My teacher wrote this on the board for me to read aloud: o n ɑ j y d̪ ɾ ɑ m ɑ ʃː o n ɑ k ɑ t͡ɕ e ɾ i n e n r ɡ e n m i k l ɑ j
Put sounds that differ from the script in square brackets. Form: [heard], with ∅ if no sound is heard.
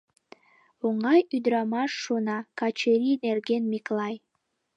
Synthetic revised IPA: o [ŋ] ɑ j y d̪ ɾ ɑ m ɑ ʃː o n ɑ k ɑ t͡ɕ e ɾ i n e [∅] r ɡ e n m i k l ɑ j